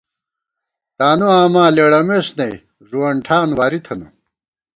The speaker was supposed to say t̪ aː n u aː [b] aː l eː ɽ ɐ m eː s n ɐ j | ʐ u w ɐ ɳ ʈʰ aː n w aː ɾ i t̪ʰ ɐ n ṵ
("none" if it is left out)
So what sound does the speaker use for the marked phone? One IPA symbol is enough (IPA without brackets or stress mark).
m